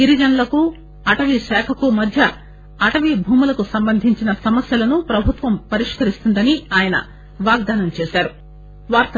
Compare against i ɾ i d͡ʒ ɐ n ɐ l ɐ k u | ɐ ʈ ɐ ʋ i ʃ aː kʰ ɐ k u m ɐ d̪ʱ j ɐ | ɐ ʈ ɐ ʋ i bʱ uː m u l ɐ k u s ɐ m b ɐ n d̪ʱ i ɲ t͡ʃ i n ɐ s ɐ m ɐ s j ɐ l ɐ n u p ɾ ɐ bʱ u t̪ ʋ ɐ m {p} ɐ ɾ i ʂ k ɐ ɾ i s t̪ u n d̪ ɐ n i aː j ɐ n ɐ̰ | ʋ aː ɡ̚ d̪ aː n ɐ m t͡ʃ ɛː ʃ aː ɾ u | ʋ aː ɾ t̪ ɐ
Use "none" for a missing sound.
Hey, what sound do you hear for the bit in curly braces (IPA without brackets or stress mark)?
p